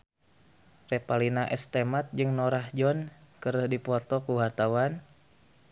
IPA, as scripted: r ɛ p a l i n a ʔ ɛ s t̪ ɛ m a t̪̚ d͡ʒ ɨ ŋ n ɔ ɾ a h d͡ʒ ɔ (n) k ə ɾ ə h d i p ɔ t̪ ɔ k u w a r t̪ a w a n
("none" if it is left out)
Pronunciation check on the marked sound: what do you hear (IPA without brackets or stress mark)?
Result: n